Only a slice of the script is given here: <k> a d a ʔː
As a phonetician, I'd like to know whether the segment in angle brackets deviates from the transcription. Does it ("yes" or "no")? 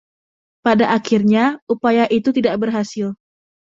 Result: yes